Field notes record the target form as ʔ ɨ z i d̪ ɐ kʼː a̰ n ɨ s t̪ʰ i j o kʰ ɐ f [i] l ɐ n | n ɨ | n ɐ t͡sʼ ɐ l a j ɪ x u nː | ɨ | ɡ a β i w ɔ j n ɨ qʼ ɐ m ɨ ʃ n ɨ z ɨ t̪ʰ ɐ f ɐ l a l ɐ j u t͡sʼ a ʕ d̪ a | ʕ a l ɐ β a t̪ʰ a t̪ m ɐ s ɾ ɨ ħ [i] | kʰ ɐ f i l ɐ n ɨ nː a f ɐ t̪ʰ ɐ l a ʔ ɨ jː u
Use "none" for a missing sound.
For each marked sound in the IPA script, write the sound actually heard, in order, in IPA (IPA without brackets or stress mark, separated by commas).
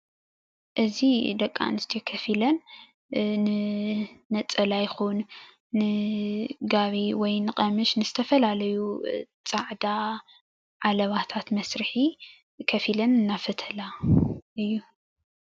i, i